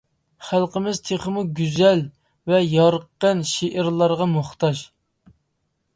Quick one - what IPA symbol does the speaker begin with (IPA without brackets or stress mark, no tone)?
χ